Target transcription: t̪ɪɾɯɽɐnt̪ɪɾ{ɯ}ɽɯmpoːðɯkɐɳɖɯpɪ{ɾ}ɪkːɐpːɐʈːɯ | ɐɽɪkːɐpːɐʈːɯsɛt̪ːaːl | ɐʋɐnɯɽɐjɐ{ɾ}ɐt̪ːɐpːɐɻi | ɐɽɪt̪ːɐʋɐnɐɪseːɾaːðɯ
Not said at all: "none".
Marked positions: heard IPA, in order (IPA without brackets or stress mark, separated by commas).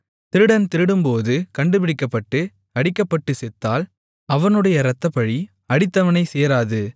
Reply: ɯ, ɽ, ɾ